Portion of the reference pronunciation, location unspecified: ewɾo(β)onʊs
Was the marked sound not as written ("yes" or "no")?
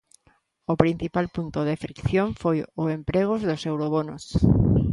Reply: no